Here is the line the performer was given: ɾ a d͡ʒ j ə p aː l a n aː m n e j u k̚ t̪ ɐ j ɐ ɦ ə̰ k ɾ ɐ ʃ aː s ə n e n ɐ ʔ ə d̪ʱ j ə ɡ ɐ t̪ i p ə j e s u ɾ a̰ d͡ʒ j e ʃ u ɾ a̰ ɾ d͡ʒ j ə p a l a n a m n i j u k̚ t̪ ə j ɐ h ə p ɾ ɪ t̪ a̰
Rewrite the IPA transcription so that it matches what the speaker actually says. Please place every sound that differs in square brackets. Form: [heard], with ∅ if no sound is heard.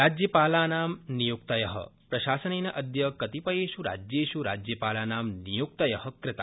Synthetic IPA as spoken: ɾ a d͡ʒ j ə p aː l a n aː m n [i] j u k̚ t̪ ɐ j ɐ ɦ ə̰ [p] ɾ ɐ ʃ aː s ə n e n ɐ ʔ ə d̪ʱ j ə [k] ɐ t̪ i p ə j e [ʃ] u ɾ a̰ d͡ʒ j e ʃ u ɾ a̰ [∅] d͡ʒ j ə p a l a n a m n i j u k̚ t̪ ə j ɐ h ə [k] ɾ ɪ t̪ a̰